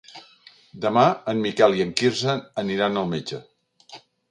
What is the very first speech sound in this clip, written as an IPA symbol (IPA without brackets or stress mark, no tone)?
d̪